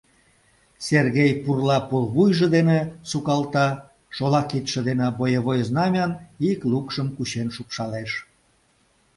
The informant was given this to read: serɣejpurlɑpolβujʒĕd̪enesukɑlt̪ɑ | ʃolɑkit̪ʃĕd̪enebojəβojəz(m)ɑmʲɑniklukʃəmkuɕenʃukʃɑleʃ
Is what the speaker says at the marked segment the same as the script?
no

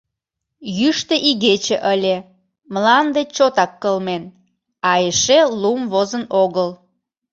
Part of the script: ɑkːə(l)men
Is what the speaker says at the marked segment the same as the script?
yes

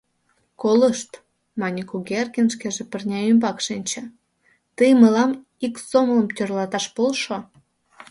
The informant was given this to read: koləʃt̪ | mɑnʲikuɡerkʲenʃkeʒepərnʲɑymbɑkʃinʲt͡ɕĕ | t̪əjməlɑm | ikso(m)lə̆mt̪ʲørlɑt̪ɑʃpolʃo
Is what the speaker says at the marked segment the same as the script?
yes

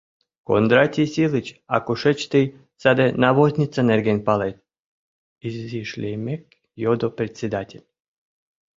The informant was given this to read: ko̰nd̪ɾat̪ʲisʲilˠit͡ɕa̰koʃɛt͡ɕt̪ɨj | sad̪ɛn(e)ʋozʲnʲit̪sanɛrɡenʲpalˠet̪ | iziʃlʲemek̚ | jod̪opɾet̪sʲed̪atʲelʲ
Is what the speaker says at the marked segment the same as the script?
no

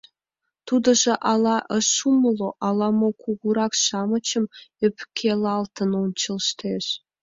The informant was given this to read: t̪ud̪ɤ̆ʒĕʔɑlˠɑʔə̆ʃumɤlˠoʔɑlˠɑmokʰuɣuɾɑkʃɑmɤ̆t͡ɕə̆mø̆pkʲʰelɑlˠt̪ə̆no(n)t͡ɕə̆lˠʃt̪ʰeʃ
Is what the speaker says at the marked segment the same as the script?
yes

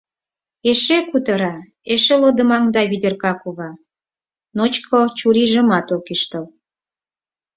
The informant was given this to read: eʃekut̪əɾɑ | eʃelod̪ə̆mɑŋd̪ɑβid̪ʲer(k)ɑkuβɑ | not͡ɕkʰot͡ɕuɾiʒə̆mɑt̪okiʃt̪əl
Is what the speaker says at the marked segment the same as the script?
yes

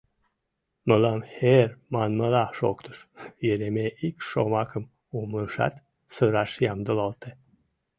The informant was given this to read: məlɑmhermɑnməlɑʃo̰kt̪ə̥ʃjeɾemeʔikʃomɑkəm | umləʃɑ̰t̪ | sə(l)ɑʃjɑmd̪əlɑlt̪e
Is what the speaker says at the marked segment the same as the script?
no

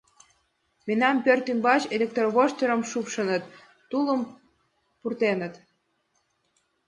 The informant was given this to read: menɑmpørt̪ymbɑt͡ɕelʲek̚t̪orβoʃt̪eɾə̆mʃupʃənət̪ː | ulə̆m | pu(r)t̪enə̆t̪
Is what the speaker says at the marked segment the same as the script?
yes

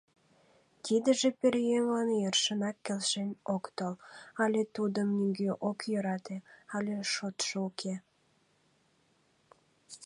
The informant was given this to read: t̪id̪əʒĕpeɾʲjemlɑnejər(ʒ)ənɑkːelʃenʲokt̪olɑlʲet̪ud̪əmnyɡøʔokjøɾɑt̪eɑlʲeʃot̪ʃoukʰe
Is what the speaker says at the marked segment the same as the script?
no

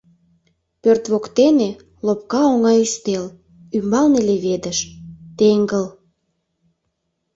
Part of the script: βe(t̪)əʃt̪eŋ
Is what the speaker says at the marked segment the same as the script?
no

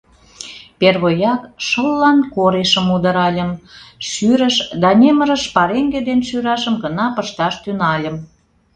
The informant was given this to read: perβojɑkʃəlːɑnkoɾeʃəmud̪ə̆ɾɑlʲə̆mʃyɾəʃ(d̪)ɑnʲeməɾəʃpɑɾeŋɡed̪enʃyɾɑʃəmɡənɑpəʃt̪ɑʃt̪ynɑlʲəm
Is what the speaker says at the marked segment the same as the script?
yes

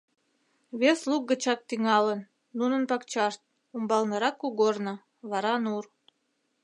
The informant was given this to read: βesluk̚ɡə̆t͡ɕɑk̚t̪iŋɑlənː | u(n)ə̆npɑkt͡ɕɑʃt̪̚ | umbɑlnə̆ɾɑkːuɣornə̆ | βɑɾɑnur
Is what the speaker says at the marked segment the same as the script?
yes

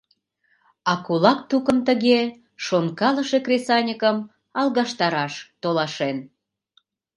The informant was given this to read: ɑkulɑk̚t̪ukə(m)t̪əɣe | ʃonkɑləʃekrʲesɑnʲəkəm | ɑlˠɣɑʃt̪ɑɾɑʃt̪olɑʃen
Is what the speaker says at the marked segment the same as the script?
yes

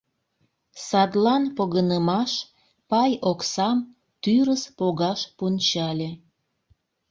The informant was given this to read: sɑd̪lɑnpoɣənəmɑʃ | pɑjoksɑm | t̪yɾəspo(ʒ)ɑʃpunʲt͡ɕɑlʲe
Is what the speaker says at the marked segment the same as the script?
no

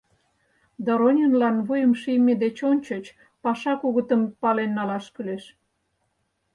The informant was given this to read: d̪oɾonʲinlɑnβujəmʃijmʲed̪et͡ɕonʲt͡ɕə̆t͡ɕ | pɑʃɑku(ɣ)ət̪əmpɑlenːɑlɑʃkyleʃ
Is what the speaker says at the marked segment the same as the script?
yes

